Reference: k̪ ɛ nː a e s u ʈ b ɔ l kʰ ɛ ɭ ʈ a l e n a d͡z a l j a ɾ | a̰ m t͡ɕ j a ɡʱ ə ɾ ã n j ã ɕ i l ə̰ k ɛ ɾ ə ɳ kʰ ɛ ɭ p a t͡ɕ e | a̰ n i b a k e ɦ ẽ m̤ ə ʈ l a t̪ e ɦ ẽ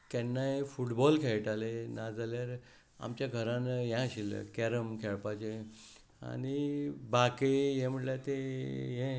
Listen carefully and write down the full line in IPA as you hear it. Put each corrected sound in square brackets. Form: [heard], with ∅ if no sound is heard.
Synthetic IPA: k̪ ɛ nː a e [f] u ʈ b ɔ l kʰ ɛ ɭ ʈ a l e n a d͡z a l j a ɾ | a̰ m t͡ɕ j a ɡʱ ə ɾ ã n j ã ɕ i l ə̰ k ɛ ɾ ə [m] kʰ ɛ ɭ p a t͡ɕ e | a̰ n i b a k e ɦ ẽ m̤ ə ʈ l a t̪ e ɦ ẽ